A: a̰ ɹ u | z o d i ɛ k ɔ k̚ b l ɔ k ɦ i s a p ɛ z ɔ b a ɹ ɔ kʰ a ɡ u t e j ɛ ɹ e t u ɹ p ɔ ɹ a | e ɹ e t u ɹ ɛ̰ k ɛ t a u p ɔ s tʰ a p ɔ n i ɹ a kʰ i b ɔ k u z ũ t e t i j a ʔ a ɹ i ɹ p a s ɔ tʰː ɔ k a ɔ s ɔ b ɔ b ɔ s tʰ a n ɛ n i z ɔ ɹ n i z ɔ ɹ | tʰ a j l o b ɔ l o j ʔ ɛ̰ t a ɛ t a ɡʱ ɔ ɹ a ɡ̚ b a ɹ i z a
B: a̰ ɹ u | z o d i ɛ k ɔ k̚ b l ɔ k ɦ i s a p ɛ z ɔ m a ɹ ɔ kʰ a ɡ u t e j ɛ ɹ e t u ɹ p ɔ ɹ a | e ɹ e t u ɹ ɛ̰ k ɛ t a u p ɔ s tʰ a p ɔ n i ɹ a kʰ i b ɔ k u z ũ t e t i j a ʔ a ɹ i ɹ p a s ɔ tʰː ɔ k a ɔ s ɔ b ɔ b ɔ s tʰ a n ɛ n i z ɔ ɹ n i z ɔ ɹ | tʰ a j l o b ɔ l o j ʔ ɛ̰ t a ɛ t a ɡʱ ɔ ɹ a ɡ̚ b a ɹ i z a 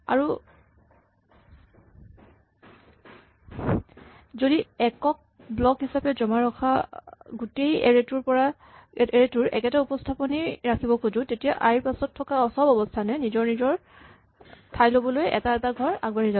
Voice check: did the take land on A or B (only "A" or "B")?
B